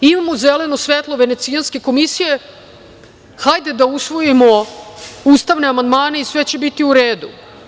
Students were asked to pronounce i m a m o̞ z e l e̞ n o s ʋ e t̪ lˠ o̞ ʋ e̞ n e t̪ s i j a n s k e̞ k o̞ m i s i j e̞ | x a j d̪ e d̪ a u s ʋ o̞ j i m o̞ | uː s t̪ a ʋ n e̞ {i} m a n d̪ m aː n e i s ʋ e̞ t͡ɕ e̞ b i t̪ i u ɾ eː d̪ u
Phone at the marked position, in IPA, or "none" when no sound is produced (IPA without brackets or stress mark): a